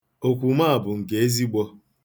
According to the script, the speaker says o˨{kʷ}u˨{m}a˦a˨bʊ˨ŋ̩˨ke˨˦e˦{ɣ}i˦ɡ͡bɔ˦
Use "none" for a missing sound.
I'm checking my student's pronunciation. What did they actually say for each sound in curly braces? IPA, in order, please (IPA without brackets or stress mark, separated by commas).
kʷ, m, z